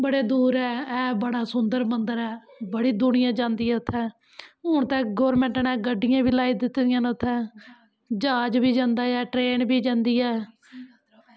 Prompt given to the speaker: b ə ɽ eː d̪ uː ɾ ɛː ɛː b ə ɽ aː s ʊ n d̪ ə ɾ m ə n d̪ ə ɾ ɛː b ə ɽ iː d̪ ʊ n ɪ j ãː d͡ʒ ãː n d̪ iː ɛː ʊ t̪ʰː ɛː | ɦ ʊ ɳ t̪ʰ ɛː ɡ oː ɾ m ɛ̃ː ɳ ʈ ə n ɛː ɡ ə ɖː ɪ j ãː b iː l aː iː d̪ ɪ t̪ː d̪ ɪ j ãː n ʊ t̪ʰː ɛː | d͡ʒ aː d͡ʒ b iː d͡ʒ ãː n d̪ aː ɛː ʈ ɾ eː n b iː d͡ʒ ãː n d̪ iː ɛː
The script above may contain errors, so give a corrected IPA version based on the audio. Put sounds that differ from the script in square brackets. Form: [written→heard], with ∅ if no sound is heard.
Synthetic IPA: b ə ɽ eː d̪ uː ɾ ɛː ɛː b ə ɽ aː s ʊ n d̪ ə ɾ m ə n d̪ ə ɾ ɛː b ə ɽ iː d̪ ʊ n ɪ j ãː d͡ʒ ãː n d̪ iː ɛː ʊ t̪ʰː ɛː | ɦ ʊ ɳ [t̪ʰ→t̪] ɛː ɡ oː ɾ m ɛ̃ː ɳ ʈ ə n ɛː ɡ ə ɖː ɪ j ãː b iː l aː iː d̪ ɪ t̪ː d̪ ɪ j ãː n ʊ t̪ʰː ɛː | d͡ʒ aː d͡ʒ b iː d͡ʒ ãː n d̪ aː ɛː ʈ ɾ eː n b iː d͡ʒ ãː n d̪ iː ɛː